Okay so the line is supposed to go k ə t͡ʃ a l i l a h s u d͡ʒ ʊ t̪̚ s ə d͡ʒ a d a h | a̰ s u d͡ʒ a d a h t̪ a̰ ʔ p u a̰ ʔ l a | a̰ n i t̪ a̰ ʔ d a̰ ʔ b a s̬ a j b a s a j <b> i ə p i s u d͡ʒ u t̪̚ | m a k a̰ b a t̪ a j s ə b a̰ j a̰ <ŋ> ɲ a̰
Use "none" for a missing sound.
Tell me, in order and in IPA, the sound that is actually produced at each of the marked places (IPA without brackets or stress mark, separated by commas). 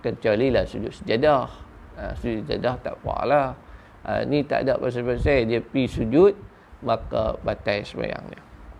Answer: d, ŋ